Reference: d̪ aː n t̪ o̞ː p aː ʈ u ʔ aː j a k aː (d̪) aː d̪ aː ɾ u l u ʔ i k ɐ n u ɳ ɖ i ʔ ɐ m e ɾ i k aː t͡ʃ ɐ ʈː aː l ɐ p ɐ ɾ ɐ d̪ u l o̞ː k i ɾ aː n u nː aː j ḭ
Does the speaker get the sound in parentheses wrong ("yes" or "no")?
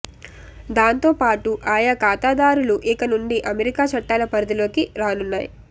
yes